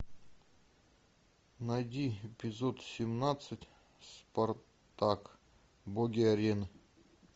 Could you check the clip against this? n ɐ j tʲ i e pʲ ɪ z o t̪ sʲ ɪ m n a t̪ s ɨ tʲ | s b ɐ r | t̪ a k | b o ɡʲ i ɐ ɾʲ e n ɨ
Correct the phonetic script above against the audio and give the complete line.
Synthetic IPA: n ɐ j dʲ i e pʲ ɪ z o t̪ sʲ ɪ m n a t̪ s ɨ tʲ | s p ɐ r | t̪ a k | b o ɡʲ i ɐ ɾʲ e n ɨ